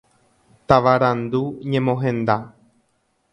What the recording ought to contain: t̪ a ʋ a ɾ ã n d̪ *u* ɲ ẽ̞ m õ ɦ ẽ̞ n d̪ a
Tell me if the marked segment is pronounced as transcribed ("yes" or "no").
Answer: yes